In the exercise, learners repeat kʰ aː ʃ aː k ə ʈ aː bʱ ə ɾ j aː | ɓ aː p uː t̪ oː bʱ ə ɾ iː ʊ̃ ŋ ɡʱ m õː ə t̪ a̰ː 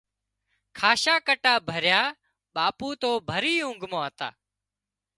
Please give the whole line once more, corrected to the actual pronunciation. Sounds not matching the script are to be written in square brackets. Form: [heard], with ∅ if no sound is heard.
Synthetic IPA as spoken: kʰ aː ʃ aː k ə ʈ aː bʱ ə ɾ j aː | ɓ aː p uː t̪ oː bʱ ə ɾ iː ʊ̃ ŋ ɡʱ m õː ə t̪ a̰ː

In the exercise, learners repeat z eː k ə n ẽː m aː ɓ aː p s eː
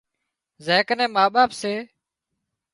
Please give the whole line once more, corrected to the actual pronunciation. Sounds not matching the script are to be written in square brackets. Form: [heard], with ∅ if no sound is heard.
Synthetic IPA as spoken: z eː k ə n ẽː m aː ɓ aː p s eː

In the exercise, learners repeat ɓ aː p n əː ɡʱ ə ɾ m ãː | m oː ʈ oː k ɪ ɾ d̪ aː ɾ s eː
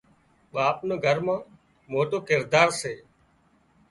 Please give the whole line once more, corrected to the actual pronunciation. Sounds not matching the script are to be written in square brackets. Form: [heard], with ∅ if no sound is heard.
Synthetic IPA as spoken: ɓ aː p n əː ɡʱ ə ɾ m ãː | m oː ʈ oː k ɪ ɾ d̪ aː ɾ s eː

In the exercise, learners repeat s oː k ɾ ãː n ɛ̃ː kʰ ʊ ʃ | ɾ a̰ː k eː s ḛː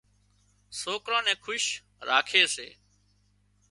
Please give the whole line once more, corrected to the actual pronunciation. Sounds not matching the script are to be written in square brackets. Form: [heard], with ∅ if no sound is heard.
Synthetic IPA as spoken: s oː k ɾ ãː n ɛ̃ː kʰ ʊ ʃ | ɾ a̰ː [kʰ] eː s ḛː

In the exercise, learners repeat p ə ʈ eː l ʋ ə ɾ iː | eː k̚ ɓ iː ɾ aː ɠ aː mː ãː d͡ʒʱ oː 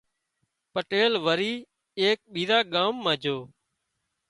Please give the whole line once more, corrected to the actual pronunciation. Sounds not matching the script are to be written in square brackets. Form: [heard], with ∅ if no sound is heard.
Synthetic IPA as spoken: p ə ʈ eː l ʋ ə ɾ iː | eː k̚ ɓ iː ɾ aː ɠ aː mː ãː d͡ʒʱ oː

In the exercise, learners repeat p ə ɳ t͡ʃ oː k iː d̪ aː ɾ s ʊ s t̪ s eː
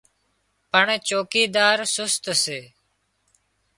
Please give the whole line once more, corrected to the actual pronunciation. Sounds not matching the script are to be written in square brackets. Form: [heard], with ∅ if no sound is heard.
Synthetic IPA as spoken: p ə ɳ t͡ʃ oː k iː d̪ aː ɾ s ʊ s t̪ s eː

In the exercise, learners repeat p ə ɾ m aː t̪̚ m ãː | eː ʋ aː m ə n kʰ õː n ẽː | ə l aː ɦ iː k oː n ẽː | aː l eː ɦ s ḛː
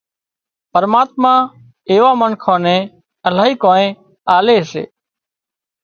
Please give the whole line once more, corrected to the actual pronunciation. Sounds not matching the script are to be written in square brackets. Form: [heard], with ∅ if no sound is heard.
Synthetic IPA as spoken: p ə ɾ m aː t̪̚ m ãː | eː ʋ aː m ə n kʰ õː n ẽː | ə l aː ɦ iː k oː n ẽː | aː l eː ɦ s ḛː

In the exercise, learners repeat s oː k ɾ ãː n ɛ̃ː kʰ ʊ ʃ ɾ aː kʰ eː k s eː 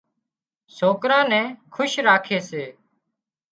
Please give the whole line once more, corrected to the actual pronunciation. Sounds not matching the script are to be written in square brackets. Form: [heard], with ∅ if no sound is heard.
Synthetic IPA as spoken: s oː k ɾ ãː n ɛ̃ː kʰ ʊ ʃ ɾ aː kʰ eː [∅] s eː

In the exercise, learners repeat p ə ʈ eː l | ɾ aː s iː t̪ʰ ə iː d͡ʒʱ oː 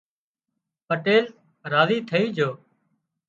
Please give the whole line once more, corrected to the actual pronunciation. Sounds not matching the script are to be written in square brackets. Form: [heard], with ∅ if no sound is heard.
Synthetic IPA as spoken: p ə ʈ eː l | ɾ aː [z] iː t̪ʰ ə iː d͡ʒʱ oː

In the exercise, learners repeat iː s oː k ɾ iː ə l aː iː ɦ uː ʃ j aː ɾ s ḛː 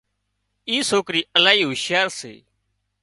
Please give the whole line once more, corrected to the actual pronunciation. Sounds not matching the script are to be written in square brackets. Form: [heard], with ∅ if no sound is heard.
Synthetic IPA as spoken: iː s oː k ɾ iː ə l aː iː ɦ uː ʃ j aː ɾ s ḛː

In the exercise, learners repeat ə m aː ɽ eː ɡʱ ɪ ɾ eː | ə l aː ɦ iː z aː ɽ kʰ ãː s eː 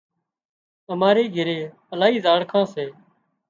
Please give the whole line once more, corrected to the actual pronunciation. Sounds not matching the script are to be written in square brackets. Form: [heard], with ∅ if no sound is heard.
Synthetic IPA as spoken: ə m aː [ɾ] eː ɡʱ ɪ ɾ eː | ə l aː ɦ iː z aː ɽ kʰ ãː s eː

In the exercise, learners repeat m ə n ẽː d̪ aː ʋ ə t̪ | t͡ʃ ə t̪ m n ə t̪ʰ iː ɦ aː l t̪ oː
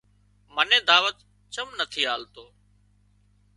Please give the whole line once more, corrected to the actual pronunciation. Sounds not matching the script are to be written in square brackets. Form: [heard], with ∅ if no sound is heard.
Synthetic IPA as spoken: m ə n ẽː d̪ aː ʋ ə t̪ | t͡ʃ ə [∅] m n ə t̪ʰ iː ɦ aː l t̪ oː

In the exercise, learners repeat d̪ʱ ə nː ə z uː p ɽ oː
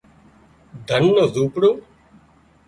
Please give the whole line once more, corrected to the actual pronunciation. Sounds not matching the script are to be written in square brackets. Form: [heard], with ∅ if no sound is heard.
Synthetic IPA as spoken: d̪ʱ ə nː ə z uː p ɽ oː

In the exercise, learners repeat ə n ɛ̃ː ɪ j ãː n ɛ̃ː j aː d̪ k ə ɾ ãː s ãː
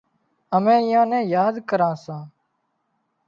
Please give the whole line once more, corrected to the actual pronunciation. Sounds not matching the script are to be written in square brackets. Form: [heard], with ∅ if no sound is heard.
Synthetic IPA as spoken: ə [m] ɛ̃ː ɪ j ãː n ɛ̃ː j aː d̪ k ə ɾ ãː s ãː

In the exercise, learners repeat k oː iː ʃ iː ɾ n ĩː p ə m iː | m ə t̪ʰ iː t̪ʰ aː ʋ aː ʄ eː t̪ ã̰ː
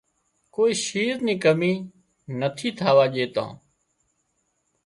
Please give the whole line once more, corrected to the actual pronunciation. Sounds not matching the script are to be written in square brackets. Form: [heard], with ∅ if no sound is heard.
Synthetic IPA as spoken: k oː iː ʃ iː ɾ n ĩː [k] ə m iː | [n] ə t̪ʰ iː t̪ʰ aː ʋ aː ʄ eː t̪ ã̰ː

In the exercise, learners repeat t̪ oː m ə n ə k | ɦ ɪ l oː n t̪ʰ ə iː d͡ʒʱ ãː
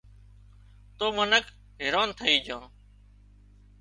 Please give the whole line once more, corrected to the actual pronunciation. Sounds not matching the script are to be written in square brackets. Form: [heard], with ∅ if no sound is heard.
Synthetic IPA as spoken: t̪ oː m ə n ə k | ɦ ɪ [ɾ] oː n t̪ʰ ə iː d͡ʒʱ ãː

